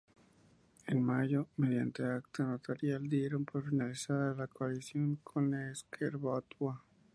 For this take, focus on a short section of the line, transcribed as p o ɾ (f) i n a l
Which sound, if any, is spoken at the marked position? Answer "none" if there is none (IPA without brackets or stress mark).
f